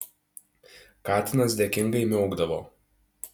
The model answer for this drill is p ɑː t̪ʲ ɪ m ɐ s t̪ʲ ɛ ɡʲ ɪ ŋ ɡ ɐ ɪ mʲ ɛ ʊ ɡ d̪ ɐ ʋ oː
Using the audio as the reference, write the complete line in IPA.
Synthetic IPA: k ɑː t̪ʲ ɪ n ɐ s d̪ʲ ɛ kʲ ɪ ŋ ɡ ɐ ɪ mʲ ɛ ʊ ɡ d̪ ɐ ʋ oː